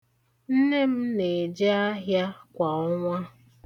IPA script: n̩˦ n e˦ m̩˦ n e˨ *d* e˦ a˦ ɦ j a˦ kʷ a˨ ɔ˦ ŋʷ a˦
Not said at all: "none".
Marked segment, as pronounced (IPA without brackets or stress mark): d͡ʒ